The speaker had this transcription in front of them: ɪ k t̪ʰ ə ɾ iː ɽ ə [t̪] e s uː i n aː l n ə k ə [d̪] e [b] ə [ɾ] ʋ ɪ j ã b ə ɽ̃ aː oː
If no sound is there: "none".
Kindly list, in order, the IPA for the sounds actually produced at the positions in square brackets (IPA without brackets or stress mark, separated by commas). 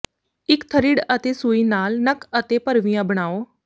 t̪, t̪, p, ɾ